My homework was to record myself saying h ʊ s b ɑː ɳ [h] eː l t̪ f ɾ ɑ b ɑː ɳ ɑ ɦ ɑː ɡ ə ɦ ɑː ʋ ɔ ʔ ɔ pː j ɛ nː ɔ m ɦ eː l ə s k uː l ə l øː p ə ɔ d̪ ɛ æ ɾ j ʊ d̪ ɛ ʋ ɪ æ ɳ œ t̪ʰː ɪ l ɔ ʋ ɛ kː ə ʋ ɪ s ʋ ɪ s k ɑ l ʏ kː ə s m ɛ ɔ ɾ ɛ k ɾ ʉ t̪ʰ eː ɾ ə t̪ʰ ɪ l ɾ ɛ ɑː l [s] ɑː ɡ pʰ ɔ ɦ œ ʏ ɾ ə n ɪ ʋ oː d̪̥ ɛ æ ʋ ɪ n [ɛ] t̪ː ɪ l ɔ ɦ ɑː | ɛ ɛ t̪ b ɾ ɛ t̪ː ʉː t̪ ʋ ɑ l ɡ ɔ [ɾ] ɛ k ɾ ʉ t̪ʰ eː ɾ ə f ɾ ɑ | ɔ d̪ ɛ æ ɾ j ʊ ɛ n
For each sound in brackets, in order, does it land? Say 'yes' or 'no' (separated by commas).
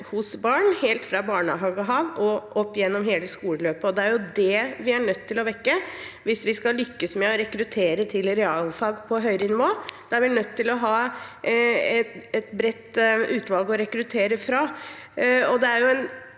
yes, no, no, yes